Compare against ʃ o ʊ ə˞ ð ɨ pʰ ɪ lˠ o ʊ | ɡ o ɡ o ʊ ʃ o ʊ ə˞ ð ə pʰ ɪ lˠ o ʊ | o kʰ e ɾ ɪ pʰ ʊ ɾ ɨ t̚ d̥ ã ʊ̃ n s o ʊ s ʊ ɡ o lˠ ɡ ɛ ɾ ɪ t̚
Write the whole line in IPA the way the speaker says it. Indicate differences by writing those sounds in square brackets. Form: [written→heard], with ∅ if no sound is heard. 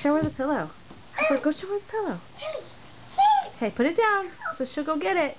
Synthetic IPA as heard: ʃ o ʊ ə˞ ð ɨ pʰ ɪ lˠ o ʊ | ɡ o ɡ o ʊ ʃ o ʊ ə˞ ð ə pʰ ɪ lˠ o ʊ | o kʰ e [ɾ→∅] ɪ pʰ ʊ ɾ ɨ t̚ d̥ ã ʊ̃ n s o ʊ [s→ʃ] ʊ ɡ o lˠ ɡ ɛ ɾ ɪ t̚